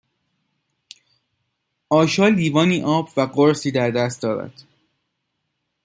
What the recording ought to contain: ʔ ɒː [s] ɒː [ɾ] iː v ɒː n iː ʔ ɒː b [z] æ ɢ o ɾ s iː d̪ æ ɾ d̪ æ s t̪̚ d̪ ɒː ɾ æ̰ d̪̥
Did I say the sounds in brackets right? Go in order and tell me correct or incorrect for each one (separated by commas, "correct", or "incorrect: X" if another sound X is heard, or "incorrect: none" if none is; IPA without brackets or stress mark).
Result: incorrect: ʃ, incorrect: l, incorrect: v